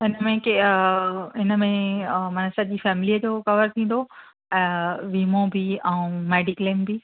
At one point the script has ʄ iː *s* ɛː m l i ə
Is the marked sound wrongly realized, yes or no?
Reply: yes